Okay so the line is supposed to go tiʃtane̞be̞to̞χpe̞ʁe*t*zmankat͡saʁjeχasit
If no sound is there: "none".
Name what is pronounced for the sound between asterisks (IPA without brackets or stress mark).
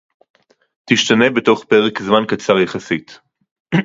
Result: k